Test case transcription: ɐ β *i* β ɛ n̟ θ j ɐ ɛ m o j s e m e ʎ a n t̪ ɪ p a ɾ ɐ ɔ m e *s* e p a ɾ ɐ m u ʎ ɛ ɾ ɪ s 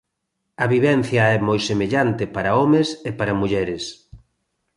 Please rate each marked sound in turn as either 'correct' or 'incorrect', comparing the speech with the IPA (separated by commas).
correct, correct